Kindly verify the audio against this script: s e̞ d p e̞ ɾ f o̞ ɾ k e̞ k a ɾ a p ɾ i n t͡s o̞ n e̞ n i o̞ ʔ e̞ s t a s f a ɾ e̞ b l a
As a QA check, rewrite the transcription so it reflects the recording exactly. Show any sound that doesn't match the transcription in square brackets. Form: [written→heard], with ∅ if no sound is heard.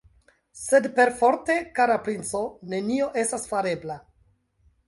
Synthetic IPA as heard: s e̞ d p e̞ ɾ f o̞ ɾ [k→t] e̞ k a ɾ a p ɾ i n t͡s o̞ n e̞ n i o̞ ʔ e̞ s t a s f a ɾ e̞ b l a